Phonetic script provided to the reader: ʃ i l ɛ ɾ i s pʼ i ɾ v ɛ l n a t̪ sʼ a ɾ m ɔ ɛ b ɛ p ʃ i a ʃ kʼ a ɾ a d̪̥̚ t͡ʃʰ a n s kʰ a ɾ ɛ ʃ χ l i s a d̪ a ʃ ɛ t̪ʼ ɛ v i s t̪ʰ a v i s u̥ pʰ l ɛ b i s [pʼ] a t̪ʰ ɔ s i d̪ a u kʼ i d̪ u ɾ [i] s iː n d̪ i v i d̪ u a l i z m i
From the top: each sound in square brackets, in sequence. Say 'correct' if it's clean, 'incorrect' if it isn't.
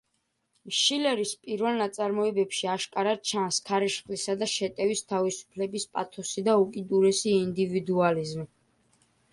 correct, incorrect: ɛ

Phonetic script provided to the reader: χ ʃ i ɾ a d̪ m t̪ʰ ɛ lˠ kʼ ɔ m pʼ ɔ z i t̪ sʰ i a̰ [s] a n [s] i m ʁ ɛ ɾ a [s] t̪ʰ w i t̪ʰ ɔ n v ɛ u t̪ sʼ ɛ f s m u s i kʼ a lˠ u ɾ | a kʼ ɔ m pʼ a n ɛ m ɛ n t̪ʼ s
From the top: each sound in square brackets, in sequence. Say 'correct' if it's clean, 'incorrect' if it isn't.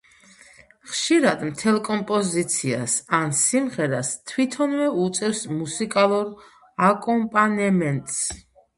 correct, correct, correct

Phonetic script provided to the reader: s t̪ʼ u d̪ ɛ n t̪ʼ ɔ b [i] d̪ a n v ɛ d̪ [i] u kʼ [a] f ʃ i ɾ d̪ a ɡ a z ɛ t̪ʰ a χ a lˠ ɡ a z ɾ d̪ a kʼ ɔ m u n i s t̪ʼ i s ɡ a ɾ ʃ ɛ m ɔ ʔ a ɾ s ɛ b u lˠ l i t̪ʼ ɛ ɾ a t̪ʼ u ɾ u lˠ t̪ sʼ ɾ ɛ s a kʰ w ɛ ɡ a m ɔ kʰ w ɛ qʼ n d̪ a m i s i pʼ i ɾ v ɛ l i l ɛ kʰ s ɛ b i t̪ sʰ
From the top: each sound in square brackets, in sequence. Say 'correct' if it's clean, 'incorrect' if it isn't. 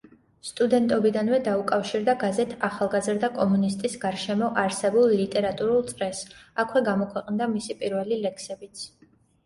correct, incorrect: a, correct

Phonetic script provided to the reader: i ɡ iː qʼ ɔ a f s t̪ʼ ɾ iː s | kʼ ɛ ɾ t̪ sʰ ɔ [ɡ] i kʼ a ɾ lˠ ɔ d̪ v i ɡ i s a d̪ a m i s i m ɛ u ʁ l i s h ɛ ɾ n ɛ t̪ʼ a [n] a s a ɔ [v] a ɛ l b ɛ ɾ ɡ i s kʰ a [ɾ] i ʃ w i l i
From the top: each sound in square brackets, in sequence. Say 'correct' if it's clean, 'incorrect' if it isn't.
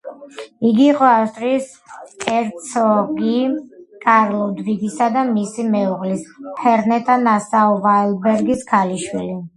correct, correct, correct, incorrect: l

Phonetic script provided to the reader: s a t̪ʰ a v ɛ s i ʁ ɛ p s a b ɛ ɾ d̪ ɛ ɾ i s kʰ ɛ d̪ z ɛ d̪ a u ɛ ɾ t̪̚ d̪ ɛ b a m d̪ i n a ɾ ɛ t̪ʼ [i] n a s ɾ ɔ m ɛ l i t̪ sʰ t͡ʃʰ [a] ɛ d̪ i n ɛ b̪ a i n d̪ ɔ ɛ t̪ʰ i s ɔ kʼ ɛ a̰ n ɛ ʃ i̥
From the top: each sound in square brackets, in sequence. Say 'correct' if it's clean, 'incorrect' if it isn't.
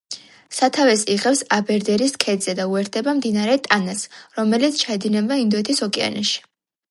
incorrect: a, correct

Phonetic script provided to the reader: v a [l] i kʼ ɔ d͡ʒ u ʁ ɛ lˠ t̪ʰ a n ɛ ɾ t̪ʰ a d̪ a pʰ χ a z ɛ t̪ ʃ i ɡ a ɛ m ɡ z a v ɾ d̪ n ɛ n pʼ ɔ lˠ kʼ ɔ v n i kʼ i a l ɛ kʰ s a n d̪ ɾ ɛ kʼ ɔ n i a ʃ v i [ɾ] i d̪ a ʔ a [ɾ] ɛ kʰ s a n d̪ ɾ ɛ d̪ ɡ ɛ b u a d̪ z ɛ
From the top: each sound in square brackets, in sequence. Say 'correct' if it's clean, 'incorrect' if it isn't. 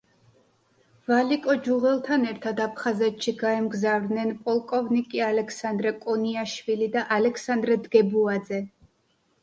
correct, incorrect: l, incorrect: l

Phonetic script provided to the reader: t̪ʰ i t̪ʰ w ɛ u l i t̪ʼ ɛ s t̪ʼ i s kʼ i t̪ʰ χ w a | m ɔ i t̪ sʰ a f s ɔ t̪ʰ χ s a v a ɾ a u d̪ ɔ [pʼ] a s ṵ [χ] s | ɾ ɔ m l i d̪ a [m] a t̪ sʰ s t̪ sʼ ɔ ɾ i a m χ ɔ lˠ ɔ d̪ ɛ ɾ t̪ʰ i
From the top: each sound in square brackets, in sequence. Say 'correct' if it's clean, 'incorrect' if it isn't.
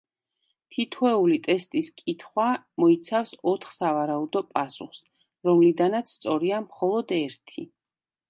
correct, correct, incorrect: n

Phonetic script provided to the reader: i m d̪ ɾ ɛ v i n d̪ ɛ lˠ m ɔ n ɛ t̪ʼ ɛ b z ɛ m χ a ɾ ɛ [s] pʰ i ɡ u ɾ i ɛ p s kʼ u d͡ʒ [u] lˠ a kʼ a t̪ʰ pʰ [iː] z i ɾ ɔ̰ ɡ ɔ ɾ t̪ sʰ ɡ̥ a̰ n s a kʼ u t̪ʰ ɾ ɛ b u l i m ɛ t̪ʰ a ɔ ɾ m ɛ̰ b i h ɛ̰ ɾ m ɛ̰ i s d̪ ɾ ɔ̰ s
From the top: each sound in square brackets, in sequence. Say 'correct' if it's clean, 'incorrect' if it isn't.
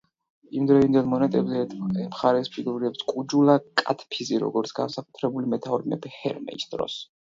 correct, correct, incorrect: i

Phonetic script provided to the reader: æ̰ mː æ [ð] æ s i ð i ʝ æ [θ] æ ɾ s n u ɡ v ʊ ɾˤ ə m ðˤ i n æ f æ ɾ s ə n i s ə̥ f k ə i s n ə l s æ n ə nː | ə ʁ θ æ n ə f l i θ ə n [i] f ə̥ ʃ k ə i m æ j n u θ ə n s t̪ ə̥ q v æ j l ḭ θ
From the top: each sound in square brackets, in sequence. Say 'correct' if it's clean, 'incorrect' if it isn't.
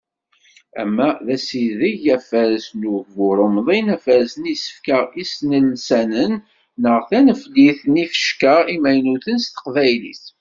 correct, incorrect: f, correct

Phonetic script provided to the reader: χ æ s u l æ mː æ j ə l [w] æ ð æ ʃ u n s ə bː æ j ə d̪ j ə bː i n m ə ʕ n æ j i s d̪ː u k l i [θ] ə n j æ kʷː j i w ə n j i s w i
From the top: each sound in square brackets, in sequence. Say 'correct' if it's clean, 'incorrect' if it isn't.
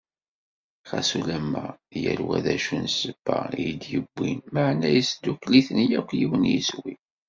correct, correct

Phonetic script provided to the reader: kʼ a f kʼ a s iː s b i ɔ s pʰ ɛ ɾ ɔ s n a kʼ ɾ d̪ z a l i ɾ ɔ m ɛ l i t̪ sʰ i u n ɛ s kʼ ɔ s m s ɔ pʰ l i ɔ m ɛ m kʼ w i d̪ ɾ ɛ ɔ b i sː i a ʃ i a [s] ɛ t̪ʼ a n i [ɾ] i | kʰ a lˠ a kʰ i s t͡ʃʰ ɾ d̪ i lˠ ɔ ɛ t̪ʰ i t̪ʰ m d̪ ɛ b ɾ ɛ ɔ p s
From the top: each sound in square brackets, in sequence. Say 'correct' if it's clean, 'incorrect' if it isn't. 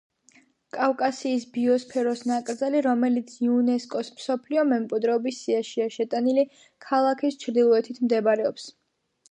incorrect: ʃ, incorrect: l

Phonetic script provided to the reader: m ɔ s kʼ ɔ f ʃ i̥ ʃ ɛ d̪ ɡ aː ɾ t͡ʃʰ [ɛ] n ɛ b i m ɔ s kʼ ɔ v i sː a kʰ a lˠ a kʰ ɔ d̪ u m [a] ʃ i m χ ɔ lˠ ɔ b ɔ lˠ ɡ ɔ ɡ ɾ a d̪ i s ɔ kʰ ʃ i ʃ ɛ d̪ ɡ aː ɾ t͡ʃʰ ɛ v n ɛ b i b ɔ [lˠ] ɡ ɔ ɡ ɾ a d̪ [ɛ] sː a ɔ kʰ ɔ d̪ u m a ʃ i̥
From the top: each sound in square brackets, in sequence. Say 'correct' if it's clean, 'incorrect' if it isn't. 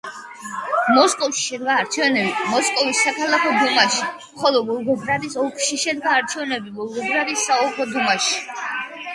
correct, correct, correct, incorrect: i

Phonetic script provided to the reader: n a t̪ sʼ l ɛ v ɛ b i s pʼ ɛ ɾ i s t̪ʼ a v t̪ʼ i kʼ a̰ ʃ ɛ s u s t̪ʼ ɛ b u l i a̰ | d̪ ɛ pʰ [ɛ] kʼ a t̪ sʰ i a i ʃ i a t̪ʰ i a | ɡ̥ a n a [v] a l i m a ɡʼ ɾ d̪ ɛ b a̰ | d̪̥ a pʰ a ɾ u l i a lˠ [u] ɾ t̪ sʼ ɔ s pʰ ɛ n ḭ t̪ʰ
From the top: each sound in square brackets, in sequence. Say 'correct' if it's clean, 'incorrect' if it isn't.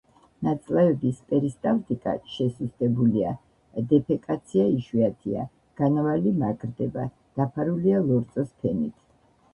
correct, correct, incorrect: ɔ

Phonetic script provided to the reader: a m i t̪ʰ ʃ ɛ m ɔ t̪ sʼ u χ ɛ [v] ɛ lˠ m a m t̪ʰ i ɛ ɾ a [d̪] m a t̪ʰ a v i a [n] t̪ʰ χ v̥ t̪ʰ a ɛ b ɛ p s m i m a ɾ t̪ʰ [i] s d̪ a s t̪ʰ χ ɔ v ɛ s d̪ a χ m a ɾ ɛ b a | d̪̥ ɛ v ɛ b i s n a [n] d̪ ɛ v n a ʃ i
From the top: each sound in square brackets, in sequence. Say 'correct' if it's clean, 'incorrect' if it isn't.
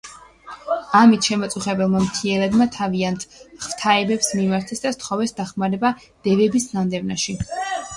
incorrect: b, correct, correct, incorrect: ɛ, correct

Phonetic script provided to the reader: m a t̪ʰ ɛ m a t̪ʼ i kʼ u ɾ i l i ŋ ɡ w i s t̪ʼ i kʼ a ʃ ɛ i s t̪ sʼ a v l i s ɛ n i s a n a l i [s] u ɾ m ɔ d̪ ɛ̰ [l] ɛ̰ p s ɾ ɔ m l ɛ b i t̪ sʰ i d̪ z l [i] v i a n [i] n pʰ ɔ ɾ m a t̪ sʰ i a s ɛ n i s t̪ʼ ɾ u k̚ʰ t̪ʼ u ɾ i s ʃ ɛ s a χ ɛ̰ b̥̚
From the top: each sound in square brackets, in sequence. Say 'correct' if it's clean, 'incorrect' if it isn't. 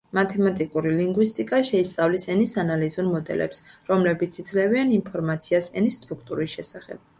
incorrect: z, correct, incorrect: ɛ, correct

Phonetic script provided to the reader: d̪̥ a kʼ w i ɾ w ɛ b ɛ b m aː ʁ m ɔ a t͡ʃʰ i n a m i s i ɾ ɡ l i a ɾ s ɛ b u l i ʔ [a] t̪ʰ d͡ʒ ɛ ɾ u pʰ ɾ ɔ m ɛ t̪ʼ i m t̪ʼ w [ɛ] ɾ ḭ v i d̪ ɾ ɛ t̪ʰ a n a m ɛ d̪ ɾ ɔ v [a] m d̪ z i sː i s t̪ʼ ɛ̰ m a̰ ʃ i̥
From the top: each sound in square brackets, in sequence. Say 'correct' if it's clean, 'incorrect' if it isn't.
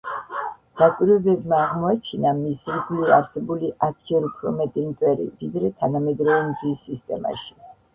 correct, correct, incorrect: ɛ

